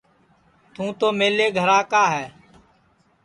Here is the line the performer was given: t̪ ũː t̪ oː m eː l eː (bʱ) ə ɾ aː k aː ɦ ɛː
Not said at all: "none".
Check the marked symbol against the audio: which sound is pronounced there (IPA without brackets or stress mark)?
ɡʱ